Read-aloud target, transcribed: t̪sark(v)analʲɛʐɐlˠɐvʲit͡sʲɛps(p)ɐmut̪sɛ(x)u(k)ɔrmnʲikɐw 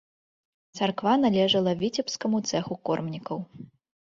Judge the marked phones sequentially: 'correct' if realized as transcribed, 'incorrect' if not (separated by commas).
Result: correct, incorrect, correct, correct